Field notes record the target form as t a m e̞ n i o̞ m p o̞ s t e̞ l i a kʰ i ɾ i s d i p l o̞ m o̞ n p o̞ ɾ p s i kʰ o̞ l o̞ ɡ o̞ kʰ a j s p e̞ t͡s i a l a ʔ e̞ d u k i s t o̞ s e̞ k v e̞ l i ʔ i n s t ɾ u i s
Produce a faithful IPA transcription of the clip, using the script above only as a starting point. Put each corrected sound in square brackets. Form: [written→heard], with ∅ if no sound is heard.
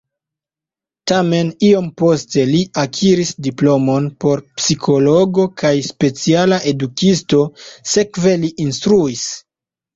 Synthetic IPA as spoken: t a m e̞ n i o̞ m p o̞ s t e̞ l i a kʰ i ɾ i s d i p l o̞ m o̞ n p o̞ ɾ p s i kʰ o̞ l o̞ ɡ o̞ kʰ a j s p e̞ t͡s i a l a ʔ e̞ d u k i s t o̞ s e̞ k v e̞ l i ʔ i n s t ɾ u i s